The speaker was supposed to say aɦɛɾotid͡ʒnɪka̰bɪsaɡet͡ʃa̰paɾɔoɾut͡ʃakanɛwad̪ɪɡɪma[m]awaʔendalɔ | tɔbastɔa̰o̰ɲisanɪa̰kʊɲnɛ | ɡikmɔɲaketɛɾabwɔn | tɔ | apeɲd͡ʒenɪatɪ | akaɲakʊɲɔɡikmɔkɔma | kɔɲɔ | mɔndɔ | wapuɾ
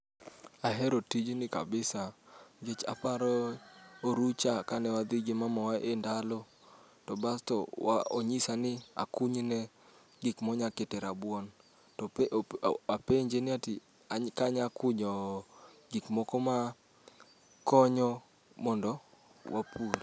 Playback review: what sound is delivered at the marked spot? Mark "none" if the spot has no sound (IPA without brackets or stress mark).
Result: m